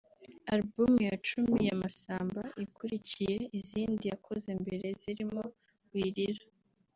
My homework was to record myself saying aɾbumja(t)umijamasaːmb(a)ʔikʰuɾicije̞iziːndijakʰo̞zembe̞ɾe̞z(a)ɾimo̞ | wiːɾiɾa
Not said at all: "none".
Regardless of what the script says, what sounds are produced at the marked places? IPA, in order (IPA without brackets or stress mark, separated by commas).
t͡ʃ, a, i